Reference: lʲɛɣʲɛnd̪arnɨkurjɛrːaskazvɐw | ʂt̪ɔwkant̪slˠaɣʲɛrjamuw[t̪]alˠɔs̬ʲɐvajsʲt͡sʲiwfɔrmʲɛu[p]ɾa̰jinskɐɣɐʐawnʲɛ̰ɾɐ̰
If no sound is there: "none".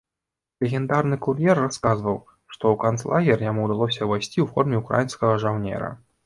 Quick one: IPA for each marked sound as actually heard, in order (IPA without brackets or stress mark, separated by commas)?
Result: d̪, k